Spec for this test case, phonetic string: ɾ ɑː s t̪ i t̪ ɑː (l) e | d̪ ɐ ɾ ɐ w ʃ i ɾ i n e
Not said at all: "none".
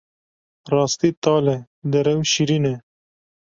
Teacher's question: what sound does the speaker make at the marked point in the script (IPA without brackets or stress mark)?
l